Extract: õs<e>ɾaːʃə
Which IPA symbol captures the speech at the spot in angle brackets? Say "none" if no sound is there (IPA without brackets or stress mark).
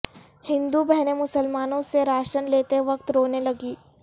e